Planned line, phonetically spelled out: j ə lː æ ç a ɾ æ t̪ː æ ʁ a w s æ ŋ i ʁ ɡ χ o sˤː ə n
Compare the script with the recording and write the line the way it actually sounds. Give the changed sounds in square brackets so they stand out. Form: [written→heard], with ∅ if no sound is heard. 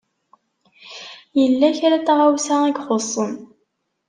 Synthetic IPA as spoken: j ə lː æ ç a ɾ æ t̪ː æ ʁ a w s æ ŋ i [ʁ→∅] ɡ χ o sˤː ə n